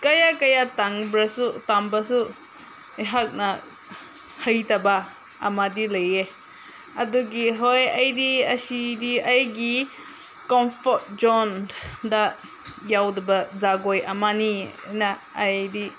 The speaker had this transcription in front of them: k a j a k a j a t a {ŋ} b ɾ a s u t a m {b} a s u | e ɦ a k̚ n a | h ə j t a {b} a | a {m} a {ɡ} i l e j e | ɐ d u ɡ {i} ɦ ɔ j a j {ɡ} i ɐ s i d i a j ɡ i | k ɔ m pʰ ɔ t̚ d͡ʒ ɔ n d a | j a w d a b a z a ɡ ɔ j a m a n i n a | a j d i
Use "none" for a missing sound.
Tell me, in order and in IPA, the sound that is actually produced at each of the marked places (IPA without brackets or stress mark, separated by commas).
ŋ, b, b, m, d, i, d